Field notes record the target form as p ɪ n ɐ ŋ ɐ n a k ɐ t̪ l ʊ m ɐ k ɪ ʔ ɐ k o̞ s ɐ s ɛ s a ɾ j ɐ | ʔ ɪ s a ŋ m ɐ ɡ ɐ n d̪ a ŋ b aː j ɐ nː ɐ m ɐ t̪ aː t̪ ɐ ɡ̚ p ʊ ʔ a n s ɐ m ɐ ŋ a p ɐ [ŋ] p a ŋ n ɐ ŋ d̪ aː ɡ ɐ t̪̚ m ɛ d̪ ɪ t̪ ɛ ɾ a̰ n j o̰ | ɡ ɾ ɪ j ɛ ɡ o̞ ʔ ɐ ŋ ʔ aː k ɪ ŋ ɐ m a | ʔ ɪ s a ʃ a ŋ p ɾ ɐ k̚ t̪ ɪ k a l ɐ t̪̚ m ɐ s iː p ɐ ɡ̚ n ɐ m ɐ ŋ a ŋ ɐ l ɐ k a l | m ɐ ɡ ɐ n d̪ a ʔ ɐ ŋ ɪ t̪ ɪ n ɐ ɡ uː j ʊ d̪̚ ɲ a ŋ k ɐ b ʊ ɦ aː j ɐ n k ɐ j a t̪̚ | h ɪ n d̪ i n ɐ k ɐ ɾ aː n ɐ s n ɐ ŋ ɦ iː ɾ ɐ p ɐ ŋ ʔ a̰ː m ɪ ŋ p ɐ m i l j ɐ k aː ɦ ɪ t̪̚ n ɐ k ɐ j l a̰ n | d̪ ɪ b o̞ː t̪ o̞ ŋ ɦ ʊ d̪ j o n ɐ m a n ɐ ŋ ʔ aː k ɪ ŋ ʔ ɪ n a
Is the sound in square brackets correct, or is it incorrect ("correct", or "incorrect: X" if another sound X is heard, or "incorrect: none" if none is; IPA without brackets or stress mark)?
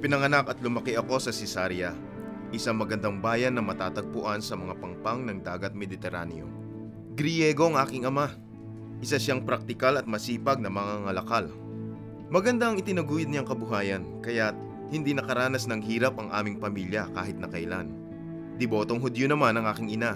correct